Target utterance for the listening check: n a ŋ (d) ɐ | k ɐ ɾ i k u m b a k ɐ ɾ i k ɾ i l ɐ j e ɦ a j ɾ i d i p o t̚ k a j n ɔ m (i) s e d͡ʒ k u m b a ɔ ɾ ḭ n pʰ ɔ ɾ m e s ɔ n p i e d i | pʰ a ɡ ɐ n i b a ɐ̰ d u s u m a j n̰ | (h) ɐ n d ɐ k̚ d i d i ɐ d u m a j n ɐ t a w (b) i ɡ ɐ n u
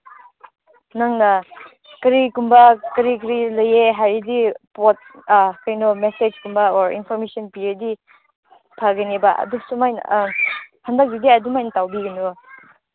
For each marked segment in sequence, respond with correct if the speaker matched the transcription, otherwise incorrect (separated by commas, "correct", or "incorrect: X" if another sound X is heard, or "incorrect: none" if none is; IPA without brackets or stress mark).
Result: incorrect: n, incorrect: e, correct, correct